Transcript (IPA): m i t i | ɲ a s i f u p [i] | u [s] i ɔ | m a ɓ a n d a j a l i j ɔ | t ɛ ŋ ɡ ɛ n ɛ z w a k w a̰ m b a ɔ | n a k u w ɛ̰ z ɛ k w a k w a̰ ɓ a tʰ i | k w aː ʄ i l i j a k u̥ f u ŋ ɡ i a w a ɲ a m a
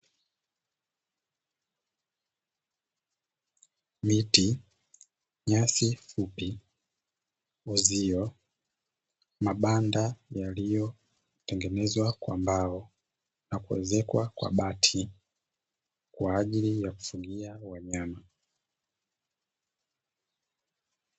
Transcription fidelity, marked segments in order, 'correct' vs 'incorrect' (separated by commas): correct, incorrect